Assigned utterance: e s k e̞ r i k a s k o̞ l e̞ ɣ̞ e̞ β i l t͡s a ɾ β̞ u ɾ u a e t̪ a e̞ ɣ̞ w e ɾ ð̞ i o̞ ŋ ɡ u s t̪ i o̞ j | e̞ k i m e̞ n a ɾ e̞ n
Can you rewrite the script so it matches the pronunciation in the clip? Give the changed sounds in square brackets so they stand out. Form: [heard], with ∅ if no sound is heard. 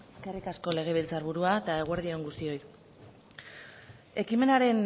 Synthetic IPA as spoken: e s k e̞ r i k a s k o̞ l e̞ ɣ̞ e̞ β i l t͡s a ɾ β̞ u ɾ u a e t̪ a e̞ ɣ̞ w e ɾ ð̞ i o̞ ŋ ɡ u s t̪ i o̞ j | e̞ k i m e̞ n a ɾ e̞ n